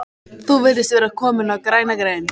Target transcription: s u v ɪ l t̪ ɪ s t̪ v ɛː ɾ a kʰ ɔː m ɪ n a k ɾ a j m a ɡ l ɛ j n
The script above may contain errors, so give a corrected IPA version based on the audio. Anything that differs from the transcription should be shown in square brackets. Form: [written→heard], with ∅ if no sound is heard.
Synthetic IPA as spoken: [s→θ] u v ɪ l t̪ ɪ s t̪ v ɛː ɾ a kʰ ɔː m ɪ n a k ɾ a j [m→n] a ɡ [l→ɾ] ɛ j n

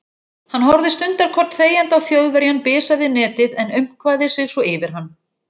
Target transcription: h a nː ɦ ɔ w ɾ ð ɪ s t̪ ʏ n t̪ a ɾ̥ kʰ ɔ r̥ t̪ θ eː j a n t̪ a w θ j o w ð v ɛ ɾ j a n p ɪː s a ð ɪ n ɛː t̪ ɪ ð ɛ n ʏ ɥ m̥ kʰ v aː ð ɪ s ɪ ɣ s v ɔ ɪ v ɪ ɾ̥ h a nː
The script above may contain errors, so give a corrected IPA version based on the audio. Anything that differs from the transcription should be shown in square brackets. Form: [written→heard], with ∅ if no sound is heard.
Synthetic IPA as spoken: h a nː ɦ ɔ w ɾ ð ɪ s t̪ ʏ n t̪ a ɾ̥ kʰ ɔ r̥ t̪ θ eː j a n t̪ a w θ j o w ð v ɛ ɾ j a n p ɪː s a ð ɪ n ɛː t̪ ɪ ð ɛ n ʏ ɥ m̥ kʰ v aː ð ɪ s ɪ ɣ s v ɔ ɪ v ɪ ɾ̥ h a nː

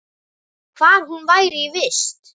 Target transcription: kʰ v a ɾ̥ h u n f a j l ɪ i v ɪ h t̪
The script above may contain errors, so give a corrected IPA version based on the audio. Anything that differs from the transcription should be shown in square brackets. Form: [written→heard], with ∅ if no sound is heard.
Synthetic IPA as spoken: kʰ v a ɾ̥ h u n [f→v] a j [l→ɾ] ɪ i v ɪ [h→s] t̪

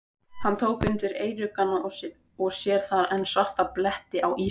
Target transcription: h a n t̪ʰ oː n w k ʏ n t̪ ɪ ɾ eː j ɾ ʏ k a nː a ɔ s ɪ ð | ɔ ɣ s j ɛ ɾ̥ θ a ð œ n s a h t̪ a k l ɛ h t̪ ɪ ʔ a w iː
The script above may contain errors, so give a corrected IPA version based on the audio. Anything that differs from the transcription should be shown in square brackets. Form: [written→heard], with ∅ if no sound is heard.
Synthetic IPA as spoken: h a n t̪ʰ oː [n→∅] w k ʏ n t̪ ɪ ɾ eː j ɾ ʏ k a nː a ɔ s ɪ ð | ɔ ɣ s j ɛ ɾ̥ θ a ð [œ→ɛ] n s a h t̪ a [k→p] l ɛ h t̪ ɪ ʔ a w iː

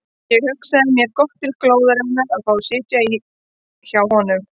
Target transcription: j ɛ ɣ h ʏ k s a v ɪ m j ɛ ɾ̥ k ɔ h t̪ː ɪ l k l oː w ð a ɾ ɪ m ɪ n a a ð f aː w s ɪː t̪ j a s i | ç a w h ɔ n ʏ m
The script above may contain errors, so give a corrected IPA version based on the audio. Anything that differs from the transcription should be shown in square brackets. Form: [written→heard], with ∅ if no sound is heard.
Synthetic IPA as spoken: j ɛ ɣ h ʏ k s a [v→ð] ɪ m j ɛ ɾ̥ k ɔ h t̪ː ɪ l k l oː w ð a ɾ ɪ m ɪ n a a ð f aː w s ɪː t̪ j a [s→∅] i | ç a w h ɔ n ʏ m

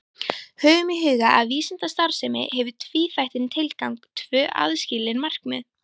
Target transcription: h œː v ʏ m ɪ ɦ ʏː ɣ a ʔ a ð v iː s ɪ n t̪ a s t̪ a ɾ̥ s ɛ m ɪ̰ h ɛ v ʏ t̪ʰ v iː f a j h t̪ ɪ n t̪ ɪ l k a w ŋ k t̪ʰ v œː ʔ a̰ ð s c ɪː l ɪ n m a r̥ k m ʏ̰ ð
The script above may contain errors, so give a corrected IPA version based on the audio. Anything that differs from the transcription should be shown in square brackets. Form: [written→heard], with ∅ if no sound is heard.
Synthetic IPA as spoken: h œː [v→ɣ] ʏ m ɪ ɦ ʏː ɣ a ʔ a ð v iː s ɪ n t̪ a s t̪ a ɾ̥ s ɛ m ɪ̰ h ɛ v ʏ t̪ʰ v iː f a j h t̪ ɪ n [t̪→t̪ʰ] ɪ l k a w ŋ k t̪ʰ v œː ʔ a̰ ð s c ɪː l ɪ n m a r̥ k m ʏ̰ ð

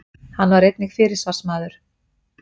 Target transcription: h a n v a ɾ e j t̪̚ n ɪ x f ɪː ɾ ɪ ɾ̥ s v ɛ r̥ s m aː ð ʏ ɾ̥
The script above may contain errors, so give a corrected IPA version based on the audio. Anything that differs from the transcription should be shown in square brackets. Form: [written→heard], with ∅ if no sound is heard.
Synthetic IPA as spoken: h a n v a ɾ e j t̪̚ n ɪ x f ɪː ɾ ɪ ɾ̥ s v [ɛ→a] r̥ s m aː ð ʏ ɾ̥

